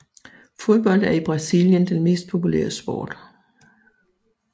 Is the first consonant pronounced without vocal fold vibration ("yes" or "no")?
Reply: yes